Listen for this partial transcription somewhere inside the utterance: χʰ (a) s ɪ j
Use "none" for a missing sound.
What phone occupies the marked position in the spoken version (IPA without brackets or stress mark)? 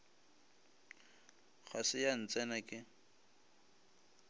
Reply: a